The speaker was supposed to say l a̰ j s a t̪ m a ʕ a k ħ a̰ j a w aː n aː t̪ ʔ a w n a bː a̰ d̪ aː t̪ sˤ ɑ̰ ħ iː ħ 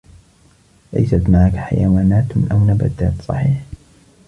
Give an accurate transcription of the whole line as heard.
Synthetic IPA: l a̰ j s a t̪ m a ʕ a k ħ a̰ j a w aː n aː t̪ ʔ a w n a b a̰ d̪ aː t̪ sˤ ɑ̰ ħ iː ħ